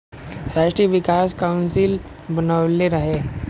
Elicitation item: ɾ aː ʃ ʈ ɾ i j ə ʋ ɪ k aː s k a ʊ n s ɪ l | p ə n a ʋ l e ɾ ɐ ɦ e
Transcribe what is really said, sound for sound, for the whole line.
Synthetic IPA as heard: ɾ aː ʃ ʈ ɾ i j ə ʋ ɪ k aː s k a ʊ n s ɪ l | b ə n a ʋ l e ɾ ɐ ɦ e